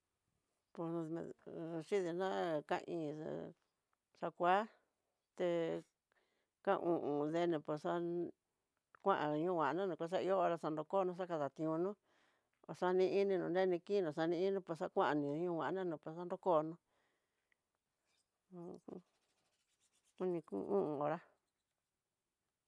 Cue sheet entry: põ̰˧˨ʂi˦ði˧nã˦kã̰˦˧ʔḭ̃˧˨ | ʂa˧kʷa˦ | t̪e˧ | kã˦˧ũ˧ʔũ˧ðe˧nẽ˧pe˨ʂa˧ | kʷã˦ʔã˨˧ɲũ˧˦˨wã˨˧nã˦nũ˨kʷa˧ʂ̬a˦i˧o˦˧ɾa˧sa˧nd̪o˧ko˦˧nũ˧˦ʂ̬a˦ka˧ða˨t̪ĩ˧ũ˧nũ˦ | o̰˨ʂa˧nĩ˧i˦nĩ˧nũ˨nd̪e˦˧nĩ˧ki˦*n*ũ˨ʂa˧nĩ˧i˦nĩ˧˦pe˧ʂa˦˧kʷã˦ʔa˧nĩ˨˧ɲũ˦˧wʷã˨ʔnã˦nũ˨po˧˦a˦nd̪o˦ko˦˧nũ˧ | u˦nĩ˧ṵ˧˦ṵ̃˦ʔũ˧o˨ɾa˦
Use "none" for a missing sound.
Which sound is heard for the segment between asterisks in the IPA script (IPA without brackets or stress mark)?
n